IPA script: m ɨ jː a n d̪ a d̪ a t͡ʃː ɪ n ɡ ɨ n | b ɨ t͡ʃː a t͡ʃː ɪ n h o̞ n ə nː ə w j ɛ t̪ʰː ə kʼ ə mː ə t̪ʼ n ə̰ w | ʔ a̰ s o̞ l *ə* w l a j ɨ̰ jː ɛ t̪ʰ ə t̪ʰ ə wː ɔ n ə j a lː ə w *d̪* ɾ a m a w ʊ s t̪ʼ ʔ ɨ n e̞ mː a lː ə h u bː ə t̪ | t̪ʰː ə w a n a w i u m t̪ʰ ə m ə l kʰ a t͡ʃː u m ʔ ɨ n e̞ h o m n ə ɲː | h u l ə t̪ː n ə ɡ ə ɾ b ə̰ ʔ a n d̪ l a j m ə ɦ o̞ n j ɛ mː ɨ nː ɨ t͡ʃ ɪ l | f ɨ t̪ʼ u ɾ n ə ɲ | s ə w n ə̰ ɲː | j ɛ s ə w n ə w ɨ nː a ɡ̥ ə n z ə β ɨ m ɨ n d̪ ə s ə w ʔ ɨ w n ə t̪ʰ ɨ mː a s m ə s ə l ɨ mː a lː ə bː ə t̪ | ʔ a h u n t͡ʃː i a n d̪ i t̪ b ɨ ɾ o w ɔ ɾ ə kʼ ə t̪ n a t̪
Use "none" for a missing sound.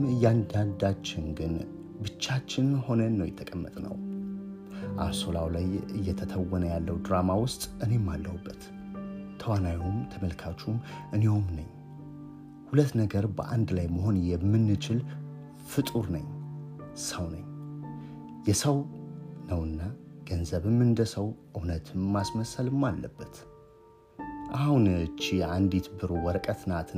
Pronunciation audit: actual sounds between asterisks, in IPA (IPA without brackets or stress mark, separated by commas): a, d̪